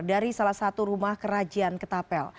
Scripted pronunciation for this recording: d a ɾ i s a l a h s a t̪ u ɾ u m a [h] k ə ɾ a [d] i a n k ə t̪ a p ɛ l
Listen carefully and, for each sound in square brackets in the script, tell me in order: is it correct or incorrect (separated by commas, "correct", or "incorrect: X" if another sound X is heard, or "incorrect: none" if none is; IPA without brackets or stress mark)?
correct, incorrect: d͡ʒ